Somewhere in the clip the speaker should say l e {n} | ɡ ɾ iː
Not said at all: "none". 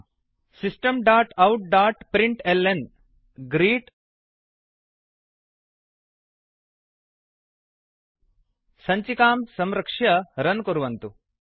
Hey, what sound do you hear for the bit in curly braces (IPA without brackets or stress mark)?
n